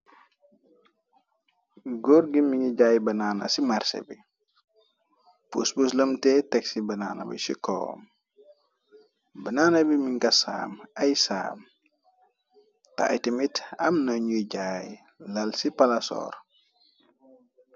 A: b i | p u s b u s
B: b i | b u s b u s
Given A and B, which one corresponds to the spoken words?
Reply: A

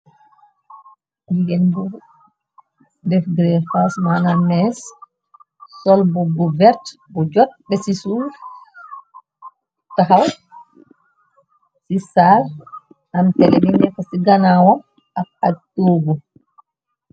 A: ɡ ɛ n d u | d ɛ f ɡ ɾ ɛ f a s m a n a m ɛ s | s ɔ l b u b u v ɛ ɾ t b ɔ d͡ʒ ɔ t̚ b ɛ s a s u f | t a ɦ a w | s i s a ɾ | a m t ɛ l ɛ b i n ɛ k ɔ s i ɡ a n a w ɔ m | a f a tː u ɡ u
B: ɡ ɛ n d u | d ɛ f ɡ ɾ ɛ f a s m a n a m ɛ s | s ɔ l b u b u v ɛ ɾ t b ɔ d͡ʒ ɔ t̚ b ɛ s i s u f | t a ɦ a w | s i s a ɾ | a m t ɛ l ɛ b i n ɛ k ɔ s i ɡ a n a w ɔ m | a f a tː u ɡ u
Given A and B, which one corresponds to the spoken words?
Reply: B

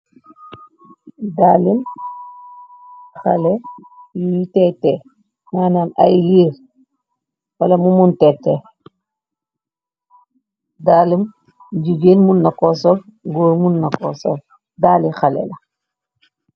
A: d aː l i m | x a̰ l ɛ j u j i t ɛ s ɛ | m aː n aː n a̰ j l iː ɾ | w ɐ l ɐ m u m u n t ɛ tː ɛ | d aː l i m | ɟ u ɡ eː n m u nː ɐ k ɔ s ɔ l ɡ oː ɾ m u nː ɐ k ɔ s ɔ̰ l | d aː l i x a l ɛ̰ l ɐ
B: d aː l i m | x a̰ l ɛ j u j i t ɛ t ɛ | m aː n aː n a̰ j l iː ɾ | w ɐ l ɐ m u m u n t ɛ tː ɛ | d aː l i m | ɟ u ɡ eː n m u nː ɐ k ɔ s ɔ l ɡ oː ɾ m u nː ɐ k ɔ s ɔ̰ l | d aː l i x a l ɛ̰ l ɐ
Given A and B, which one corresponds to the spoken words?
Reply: B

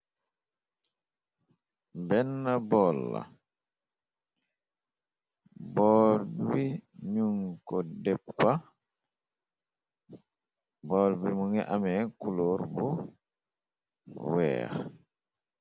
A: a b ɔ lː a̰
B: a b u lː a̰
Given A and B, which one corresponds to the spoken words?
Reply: A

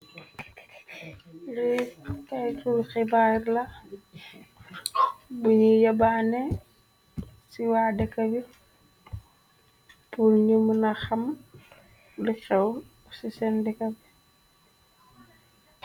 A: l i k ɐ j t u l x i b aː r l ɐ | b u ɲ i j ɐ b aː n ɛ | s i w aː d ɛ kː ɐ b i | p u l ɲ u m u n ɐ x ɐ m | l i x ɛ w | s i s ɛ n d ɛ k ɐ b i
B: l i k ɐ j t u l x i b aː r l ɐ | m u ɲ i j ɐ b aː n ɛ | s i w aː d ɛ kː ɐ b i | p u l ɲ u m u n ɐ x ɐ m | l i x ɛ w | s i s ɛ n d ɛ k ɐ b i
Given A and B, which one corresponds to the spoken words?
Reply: A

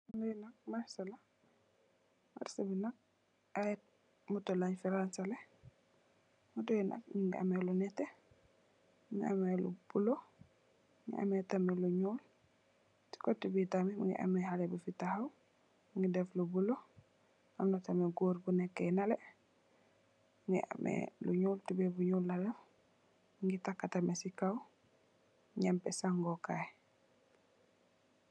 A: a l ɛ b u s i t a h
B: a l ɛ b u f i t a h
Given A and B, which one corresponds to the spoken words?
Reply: B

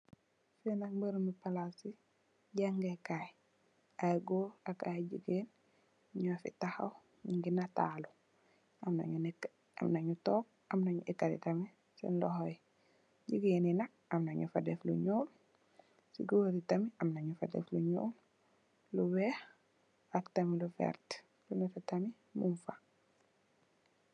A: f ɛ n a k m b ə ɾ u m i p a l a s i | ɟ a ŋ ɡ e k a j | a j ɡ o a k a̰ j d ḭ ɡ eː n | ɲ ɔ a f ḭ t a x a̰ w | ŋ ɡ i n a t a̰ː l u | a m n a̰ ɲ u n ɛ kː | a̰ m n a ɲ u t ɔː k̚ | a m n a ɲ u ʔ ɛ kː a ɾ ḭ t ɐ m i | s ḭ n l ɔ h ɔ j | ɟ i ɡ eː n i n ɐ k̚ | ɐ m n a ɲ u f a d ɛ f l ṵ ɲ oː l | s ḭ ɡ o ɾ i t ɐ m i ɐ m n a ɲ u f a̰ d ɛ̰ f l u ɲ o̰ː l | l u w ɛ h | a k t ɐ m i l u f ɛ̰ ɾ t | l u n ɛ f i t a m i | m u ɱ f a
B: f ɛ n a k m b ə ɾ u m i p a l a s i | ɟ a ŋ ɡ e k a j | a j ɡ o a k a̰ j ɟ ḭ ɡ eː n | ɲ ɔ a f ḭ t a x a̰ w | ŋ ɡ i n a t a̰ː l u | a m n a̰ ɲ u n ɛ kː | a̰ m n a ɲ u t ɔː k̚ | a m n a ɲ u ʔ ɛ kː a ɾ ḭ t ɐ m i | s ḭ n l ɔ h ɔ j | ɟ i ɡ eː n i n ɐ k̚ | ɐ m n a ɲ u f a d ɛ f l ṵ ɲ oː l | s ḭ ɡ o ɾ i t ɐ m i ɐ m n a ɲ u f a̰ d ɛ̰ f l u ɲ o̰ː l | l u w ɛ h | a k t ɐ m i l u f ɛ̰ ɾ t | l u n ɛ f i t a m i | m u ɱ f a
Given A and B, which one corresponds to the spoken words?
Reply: B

